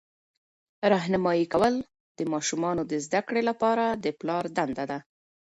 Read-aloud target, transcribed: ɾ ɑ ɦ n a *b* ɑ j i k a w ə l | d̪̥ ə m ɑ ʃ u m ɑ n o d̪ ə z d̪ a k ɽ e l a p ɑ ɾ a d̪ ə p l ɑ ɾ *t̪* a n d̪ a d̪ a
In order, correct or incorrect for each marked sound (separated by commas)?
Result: incorrect, incorrect